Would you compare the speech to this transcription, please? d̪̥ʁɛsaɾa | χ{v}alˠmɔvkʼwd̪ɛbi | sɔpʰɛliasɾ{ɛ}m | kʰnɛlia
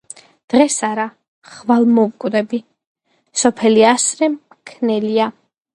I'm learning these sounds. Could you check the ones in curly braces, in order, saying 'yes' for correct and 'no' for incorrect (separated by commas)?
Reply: yes, yes